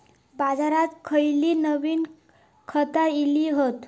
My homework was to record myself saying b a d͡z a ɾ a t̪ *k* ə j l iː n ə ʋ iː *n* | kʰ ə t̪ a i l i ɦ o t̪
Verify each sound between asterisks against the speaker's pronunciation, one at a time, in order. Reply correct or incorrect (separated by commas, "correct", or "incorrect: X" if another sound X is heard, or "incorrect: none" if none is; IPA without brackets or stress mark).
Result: incorrect: kʰ, correct